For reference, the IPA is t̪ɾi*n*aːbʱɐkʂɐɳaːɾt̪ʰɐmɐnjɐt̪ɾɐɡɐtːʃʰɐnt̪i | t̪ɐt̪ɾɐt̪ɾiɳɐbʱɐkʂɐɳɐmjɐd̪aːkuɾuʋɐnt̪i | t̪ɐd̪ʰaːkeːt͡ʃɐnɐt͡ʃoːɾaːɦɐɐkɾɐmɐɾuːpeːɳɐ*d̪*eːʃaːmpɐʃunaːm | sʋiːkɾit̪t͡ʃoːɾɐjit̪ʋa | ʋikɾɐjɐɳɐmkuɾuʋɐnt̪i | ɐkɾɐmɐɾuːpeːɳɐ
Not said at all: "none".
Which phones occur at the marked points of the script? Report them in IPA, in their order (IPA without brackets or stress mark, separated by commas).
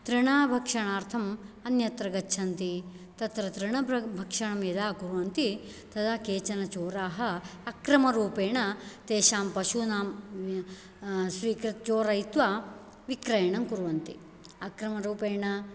ɳ, t̪